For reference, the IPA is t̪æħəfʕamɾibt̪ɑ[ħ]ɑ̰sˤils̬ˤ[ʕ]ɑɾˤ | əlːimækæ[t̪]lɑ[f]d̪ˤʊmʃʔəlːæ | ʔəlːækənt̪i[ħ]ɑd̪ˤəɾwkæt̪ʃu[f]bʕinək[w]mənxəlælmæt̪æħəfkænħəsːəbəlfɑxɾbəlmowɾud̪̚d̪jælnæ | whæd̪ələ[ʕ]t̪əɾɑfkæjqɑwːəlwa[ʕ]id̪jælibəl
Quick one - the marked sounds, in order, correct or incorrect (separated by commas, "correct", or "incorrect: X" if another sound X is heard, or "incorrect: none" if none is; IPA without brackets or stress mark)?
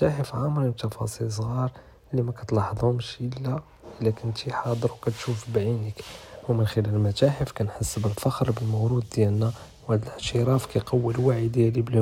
incorrect: f, incorrect: ɣ, correct, incorrect: ħ, correct, correct, correct, correct, correct